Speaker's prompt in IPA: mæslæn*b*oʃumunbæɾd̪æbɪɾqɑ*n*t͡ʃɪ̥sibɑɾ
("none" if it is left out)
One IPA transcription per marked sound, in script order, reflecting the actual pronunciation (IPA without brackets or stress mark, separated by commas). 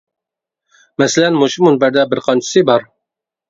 m, n